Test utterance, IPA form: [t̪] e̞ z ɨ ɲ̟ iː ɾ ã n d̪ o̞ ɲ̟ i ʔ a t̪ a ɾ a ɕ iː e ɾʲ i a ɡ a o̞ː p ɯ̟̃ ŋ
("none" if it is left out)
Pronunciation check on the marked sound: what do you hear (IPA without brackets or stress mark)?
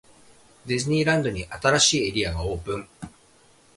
d̪